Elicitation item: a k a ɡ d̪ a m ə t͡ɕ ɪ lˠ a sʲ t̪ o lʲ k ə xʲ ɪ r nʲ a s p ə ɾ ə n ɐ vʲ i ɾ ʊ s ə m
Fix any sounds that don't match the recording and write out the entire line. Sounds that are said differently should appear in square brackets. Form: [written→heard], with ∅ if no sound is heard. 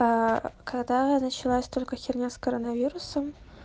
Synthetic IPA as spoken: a k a ɡ d̪ a [m→n] ə t͡ɕ ɪ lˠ a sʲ t̪ o lʲ k ə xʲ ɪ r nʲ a s [p→k] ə ɾ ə n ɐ vʲ i ɾ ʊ s ə m